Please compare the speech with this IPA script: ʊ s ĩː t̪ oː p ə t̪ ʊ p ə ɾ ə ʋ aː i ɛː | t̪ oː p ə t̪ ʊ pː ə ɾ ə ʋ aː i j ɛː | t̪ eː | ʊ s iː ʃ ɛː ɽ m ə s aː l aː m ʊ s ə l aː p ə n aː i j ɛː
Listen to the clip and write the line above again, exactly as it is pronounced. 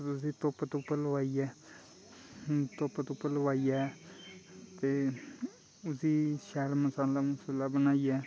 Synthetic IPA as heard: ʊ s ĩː t̪ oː p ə t̪ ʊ p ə l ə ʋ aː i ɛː | t̪ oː p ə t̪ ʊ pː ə l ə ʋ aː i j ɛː | t̪ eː | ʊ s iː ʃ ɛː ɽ m ə s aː l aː m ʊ s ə l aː b ə n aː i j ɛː

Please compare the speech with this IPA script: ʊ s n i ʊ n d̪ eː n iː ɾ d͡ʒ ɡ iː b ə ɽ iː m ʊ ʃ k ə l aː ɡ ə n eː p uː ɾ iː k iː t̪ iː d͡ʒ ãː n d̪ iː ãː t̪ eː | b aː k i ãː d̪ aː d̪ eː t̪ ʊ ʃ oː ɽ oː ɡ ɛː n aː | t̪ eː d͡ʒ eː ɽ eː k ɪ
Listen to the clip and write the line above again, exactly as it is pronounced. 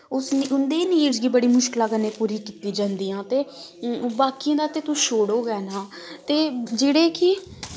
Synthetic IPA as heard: ʊ s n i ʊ n d̪ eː n iː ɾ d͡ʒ ɡ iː b ə ɽ iː m ʊ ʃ k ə l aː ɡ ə n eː p uː ɾ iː k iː t̪ iː d͡ʒ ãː n d̪ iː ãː t̪ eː | b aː k i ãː d̪ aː t̪ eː t̪ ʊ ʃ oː ɽ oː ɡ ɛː n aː | t̪ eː d͡ʒ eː ɽ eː k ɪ

